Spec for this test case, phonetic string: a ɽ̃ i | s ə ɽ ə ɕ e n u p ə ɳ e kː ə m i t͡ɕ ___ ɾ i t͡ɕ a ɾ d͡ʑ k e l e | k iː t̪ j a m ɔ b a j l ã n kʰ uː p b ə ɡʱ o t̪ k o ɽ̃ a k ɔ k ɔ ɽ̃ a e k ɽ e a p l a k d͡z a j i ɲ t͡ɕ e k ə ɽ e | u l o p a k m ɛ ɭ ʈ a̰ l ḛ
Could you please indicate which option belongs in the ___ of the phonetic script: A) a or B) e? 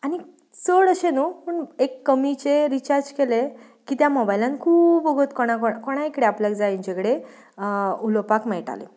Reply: B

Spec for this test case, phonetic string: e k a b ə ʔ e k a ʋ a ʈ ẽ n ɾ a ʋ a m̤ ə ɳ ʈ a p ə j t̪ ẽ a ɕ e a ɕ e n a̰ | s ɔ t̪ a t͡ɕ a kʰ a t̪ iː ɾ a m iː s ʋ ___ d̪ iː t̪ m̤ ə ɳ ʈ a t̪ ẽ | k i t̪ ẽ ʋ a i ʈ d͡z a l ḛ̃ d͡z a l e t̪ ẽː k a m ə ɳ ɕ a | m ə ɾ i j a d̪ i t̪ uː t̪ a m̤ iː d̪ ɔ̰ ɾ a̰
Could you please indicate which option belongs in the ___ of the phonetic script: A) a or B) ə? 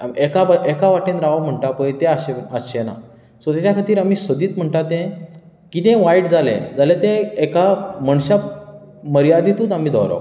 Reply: B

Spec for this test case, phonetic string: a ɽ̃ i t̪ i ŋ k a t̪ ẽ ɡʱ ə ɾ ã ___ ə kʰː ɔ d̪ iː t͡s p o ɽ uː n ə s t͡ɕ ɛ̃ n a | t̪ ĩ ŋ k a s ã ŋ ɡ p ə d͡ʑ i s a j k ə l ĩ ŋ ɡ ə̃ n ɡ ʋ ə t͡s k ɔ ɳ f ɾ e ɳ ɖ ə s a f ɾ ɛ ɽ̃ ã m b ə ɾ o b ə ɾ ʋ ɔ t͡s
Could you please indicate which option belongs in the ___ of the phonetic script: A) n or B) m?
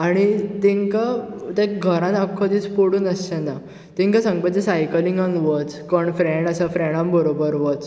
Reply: A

